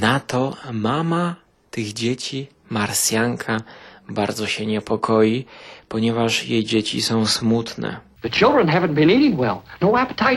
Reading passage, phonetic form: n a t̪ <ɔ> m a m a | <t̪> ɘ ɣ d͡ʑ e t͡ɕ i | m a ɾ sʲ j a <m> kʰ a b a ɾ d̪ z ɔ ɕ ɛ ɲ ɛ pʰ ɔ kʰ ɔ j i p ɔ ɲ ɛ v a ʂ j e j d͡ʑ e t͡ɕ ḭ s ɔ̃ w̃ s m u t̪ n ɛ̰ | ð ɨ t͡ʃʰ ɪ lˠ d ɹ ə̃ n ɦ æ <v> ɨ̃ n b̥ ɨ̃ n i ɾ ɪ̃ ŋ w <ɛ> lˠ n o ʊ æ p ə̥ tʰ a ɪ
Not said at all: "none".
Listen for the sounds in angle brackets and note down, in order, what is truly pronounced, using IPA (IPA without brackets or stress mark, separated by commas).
ɔ, t̪, ŋ, v, ɛ